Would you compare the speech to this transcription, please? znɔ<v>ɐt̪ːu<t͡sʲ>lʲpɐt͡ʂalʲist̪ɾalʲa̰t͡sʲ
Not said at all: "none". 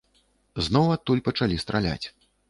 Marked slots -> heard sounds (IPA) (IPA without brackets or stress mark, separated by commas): w, none